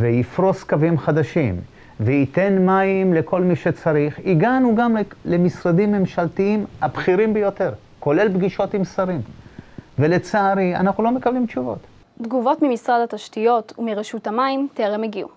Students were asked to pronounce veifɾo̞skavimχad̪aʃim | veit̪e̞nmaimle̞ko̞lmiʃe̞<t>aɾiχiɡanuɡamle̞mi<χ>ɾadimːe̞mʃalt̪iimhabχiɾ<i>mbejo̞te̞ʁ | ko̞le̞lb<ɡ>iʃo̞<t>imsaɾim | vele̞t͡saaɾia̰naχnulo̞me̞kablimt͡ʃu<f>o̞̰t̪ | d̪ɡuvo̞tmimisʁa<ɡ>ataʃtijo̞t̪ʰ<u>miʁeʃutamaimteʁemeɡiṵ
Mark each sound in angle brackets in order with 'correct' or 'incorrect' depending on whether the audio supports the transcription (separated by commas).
incorrect, incorrect, correct, correct, correct, incorrect, incorrect, correct